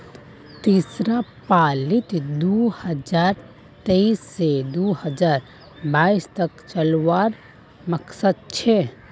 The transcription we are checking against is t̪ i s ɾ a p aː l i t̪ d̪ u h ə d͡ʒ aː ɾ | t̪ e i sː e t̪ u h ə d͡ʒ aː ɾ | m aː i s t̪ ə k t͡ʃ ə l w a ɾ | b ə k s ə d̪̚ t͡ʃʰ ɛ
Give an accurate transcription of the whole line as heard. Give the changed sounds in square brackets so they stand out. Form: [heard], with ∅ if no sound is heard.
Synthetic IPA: t̪ i s ɾ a p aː l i t̪ d̪ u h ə d͡ʒ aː ɾ | t̪ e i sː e [d̪] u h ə d͡ʒ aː ɾ | [b] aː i s t̪ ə k t͡ʃ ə l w a ɾ | [m] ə k s ə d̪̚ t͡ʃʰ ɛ